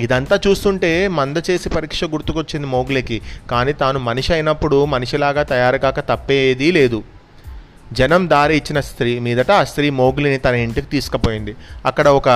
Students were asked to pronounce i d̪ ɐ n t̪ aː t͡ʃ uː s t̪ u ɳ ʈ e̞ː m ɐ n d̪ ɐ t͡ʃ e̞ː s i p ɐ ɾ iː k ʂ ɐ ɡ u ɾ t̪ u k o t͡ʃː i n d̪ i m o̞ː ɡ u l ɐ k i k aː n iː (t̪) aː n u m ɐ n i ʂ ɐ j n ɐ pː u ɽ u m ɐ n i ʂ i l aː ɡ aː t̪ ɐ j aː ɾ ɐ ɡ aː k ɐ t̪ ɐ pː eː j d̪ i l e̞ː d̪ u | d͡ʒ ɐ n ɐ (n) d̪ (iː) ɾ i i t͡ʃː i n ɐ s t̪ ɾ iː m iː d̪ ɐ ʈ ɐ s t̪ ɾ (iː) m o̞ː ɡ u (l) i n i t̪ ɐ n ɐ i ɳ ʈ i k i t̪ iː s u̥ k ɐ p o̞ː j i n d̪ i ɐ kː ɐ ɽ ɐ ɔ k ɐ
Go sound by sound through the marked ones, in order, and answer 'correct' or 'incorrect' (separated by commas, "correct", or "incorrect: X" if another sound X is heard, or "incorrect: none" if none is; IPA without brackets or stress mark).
correct, incorrect: m, incorrect: aː, correct, correct